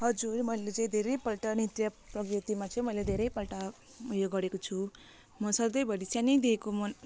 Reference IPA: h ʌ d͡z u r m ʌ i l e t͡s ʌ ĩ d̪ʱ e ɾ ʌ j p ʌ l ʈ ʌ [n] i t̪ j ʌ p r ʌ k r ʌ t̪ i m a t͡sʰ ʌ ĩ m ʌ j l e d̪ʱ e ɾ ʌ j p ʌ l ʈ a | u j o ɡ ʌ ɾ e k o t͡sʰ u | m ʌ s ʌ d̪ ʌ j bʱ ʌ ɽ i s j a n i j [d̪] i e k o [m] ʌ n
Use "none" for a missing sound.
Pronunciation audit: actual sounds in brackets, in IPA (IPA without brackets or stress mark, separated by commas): n, d̪, m